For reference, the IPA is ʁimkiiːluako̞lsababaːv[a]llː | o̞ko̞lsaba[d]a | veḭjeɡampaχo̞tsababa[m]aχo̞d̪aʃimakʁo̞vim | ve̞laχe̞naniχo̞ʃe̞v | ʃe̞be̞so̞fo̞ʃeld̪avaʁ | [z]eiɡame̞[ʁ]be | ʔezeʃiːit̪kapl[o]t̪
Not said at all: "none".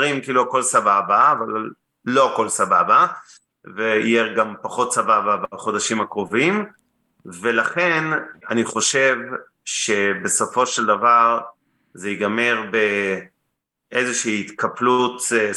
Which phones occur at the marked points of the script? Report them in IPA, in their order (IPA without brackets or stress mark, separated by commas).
a, b, b, z, ʁ, u